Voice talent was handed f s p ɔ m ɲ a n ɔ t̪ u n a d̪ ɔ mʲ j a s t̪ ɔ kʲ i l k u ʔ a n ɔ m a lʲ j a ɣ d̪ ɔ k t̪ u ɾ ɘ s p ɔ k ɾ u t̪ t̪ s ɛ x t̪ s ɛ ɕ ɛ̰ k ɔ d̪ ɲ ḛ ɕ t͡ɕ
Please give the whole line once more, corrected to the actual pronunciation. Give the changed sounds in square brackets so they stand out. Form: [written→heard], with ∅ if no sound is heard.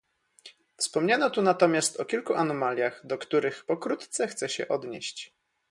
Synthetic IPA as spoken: f s p ɔ m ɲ a n ɔ t̪ u n a [d̪→t̪] ɔ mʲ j a s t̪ ɔ kʲ i l k u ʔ a n ɔ m a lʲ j a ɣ d̪ ɔ k t̪ u ɾ ɘ [s→x] p ɔ k ɾ u t̪ t̪ s ɛ x t̪ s ɛ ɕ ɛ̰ [k→ʔ] ɔ d̪ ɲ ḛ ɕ t͡ɕ